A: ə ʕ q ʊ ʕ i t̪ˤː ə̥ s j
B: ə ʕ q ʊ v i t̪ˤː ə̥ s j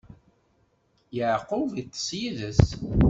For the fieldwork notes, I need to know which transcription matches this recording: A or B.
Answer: B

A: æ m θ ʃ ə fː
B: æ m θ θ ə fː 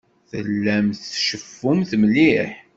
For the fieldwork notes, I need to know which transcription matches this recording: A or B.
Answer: A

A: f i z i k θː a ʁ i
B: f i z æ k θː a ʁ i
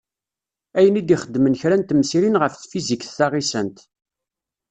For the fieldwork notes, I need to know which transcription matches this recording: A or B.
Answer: A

